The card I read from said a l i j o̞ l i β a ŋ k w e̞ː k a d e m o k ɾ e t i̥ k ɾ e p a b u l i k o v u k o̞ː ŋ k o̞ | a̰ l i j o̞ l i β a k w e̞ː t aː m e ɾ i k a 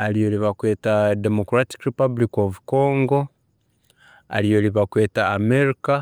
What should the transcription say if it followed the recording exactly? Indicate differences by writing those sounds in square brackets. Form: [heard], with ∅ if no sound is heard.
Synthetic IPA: a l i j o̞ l i β a [∅] k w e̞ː [t] a d e m o k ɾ [a] t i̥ k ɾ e p a b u l i k o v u k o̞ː ŋ [ɡ] o̞ | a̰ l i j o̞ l i β a k w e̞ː t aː m e ɾ i k a

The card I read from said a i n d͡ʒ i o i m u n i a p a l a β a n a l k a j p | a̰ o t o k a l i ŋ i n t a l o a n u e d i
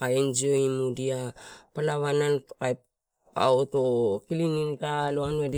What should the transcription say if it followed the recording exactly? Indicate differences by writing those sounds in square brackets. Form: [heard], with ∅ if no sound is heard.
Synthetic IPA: a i n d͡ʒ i o i m u [d] i a p a l a β a n a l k a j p | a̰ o t o k [i] l i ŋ i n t a l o a n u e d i

